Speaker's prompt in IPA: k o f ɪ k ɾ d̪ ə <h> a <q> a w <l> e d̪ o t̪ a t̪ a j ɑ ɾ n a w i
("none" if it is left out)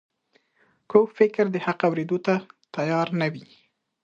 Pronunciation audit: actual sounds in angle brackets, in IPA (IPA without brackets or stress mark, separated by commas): h, q, ɾ